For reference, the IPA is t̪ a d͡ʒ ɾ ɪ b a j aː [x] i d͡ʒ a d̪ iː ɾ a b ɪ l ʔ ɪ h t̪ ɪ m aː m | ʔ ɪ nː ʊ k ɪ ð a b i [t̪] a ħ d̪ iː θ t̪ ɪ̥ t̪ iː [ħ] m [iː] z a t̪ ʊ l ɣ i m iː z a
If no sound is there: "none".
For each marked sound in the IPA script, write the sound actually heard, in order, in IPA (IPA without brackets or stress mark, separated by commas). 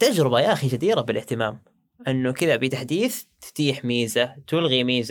x, t̪, ħ, iː